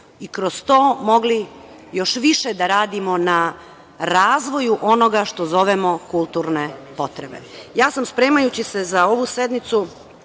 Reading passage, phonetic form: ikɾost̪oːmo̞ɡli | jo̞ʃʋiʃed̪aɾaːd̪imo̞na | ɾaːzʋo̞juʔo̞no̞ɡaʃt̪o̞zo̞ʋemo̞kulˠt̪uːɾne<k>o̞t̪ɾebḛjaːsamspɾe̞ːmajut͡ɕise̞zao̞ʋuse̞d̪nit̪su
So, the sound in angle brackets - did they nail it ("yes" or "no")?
no